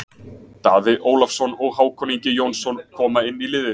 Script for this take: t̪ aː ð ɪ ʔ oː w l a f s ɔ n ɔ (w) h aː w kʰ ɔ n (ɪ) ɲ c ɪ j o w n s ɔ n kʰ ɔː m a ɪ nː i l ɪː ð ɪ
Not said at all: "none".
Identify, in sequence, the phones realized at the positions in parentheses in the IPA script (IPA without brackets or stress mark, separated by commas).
ɣ, i